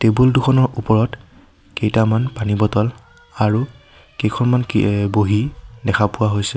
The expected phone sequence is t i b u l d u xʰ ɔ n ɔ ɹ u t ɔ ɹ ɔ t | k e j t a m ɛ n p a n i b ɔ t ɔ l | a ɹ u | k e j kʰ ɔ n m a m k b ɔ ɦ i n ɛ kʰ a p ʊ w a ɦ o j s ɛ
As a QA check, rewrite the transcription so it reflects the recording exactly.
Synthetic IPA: t e b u l d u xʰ ɔ n ɔ ɹ u p ɔ ɹ ɔ t | k e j t a m a n p a n i b ɔ t ɔ l | a ɹ u | k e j kʰ ɔ n m a n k b o ɦ i d ɛ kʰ a p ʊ w a ɦ o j s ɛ

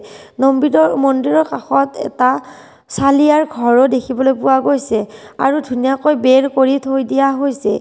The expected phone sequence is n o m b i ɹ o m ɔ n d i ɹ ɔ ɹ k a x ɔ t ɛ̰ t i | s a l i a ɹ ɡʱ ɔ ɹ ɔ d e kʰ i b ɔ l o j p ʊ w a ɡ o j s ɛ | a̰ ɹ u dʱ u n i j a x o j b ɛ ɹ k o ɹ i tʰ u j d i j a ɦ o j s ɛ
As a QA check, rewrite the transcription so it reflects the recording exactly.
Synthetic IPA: n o m b i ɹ ɔ m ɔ n d i ɹ ɔ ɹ k a x ɔ t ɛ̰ t a | s a l i a ɹ ɡʱ ɔ ɹ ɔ d e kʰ i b ɔ l o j p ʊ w a ɡ o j s ɛ | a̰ ɹ u dʱ u n i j a k o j b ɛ ɹ k o ɹ i tʰ o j d i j a ɦ o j s ɛ

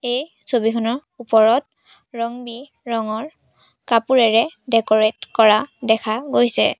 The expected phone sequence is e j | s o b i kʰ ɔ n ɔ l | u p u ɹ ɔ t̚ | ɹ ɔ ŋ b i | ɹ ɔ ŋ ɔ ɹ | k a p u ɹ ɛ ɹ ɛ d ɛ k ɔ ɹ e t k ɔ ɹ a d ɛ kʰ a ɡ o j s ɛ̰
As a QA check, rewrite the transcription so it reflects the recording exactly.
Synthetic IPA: e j | s o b i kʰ ɔ n ɔ ɹ | u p ɔ ɹ ɔ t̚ | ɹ ɔ ŋ b i | ɹ ɔ ŋ ɔ ɹ | k a p u ɹ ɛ ɹ ɛ d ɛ k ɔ ɹ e t k ɔ ɹ a d ɛ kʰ a ɡ o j s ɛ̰

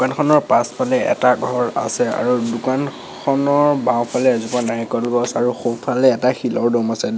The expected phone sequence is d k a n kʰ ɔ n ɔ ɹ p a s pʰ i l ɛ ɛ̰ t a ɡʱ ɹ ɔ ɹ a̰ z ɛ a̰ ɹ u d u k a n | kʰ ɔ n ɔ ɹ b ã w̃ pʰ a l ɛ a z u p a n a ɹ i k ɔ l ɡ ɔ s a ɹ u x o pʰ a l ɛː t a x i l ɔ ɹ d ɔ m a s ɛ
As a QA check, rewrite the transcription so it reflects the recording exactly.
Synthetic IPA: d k a n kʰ ɔ n ɔ ɹ p a s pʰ a l ɛ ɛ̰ t a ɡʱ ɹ ɔ ɹ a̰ s ɛ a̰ ɹ u d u k a n | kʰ ɔ n ɔ ɹ b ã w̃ pʰ a l ɛ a z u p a n a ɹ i k ɔ l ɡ ɔ s a ɹ u x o pʰ a l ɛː t a x i l ɔ ɹ d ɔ m a s ɛ

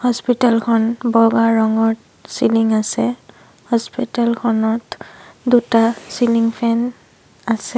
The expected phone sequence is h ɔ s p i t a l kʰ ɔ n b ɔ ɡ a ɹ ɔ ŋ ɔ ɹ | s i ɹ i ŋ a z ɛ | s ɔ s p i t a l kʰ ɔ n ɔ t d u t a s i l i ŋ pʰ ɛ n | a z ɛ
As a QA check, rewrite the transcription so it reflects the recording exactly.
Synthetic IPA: h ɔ s p i t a l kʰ ɔ n b ɔ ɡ a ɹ ɔ ŋ ɔ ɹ | s i l i ŋ a s ɛ | h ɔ s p i t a l kʰ ɔ n ɔ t d u t a s i l i ŋ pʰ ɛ n | a s ɛ

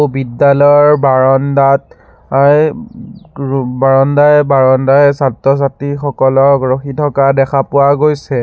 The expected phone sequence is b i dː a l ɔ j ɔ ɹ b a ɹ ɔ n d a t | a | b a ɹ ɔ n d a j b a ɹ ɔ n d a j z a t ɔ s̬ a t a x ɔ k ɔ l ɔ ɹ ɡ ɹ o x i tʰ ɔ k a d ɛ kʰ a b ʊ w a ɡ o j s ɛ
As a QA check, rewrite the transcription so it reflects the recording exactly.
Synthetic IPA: b i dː a l ɔ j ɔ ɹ b a ɹ ɔ n d a t | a | b a ɹ ɔ n d a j b a ɹ ɔ n d a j s a t ɔ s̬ a t i x ɔ k ɔ l ɔ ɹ ɡ ɹ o x i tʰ ɔ k a d ɛ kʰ a p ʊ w a ɡ o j s ɛ

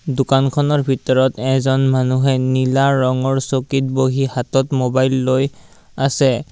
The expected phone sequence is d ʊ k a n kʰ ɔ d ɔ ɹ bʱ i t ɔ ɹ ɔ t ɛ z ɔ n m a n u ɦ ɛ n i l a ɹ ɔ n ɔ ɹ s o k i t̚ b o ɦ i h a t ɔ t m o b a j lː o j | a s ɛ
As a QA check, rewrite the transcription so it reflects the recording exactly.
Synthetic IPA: d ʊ k a n kʰ ɔ n ɔ ɹ bʱ i t ɔ ɹ ɔ t ɛ z ɔ n m a n u ɦ ɛ n i l a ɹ ɔ ŋ ɔ ɹ s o k i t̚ b o ɦ i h a t ɔ t m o b a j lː o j | a s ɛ

